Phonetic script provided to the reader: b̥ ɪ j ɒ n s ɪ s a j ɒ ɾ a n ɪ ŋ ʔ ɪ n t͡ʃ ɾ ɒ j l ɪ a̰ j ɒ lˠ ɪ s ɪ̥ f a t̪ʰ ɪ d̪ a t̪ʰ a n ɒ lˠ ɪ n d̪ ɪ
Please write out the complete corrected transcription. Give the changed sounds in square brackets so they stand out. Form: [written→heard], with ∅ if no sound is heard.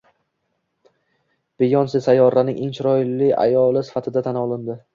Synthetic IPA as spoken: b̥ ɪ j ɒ n s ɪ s a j ɒ ɾ a n ɪ ŋ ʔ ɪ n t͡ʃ ɾ ɒ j l ɪ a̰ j ɒ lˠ ɪ s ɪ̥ f a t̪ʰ ɪ d̪ a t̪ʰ a n ɒ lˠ ɪ n d̪ ɪ